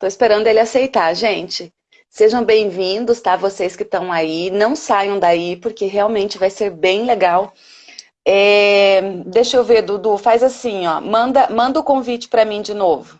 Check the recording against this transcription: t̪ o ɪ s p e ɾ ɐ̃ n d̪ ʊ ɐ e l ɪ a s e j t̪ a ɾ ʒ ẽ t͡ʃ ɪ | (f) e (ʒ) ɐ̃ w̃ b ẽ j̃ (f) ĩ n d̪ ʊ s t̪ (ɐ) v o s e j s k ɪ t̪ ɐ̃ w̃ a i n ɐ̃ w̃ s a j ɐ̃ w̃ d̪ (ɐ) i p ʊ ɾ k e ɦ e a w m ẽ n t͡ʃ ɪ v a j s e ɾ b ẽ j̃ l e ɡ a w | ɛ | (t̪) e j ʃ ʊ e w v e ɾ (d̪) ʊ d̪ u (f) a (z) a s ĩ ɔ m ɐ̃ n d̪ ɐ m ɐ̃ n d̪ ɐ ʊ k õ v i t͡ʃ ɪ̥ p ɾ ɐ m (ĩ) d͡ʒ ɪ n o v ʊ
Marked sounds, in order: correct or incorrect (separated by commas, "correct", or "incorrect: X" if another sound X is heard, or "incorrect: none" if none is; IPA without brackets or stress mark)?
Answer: incorrect: s, correct, incorrect: v, incorrect: a, incorrect: a, incorrect: d̪, correct, correct, correct, correct